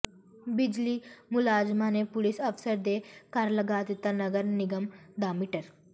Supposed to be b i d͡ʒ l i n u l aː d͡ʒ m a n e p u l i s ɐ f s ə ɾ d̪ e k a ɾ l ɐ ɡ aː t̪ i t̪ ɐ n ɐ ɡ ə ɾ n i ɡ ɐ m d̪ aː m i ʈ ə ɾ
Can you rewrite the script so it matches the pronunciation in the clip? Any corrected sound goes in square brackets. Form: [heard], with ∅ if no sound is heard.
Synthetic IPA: b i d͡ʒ l i [m] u l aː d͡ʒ m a n e p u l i s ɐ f s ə ɾ d̪ e k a ɾ l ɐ ɡ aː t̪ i t̪ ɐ n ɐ ɡ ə ɾ n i ɡ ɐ m d̪ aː m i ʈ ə ɾ